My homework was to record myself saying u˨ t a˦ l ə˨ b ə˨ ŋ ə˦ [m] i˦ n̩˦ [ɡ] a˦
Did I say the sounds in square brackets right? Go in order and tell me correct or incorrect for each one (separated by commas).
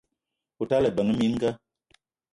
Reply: correct, correct